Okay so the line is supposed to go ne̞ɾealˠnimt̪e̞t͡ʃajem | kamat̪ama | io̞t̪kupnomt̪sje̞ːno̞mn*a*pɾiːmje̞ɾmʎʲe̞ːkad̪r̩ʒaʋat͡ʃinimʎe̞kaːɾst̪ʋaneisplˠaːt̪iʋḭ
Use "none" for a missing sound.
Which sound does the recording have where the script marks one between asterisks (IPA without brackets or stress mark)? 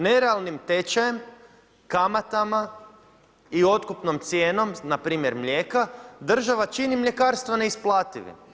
a